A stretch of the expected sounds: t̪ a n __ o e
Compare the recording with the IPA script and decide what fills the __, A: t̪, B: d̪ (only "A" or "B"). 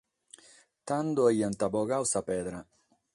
B